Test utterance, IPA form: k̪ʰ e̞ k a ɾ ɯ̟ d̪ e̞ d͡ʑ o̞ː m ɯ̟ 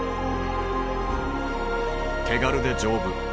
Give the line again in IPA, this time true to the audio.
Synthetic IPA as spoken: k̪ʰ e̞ ɡ a ɾ ɯ̟ d̪ e̞ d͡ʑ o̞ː b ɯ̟